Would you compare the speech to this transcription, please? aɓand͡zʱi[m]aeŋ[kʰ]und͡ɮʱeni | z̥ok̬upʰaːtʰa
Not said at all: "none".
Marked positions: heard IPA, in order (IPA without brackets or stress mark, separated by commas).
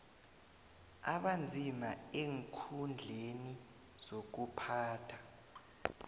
m, kʰ